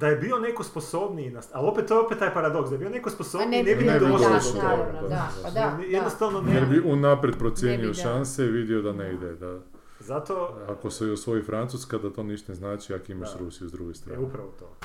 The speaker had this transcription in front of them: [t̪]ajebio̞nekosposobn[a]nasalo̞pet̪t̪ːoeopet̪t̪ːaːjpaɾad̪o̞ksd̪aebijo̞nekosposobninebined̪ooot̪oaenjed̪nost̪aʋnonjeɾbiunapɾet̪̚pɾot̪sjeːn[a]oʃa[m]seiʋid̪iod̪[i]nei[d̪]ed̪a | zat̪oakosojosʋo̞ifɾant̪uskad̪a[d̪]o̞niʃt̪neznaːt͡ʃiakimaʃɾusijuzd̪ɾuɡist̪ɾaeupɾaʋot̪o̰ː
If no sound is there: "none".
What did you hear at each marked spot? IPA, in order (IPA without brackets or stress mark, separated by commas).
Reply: d̪, i, i, n, a, d̪, t̪